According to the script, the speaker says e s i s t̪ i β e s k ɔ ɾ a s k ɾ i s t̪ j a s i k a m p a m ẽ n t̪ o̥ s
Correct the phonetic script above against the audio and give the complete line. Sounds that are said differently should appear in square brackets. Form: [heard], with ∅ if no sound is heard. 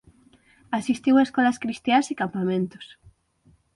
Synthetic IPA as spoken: [a] s i s t̪ i [w] e s k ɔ [l] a s k ɾ i s t̪ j a s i k a m p a m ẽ n t̪ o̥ s